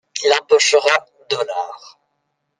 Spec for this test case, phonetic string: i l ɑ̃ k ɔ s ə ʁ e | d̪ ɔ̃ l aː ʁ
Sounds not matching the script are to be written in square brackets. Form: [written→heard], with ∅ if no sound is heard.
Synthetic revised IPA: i l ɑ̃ [k→p] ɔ [s→ʃ] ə ʁ [e→a] | d̪ [ɔ̃→ɔ] l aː ʁ